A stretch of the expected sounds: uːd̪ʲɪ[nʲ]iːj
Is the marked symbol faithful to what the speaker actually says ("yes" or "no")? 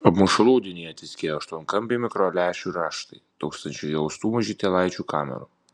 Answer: yes